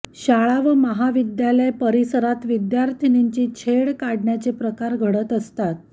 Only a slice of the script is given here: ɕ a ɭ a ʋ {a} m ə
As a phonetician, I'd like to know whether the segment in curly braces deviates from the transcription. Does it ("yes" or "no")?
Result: yes